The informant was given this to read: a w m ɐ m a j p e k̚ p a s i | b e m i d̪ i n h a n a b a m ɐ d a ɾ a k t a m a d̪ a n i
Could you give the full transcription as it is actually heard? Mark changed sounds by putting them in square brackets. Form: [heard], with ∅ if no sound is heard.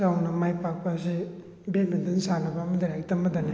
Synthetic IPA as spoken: a w [n] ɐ m a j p [a] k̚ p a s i | b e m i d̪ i n [s] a n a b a m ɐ d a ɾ a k t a m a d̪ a n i